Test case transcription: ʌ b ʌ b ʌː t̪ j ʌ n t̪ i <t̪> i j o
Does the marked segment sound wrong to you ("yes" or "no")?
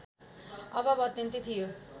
yes